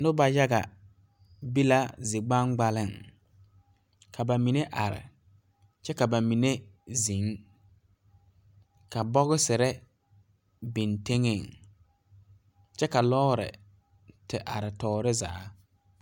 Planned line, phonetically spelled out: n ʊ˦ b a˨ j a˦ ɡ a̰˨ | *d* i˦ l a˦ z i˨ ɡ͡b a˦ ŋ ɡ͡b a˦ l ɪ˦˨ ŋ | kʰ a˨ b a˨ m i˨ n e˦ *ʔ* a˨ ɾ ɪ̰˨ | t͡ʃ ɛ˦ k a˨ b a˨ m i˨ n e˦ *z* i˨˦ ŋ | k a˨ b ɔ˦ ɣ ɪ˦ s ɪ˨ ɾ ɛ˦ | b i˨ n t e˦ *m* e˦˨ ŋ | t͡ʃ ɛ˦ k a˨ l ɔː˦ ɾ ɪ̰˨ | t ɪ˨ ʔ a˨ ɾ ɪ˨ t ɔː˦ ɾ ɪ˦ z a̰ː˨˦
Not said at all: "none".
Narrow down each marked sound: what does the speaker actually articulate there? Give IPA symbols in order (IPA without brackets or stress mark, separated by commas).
b, ʔ, z, ŋ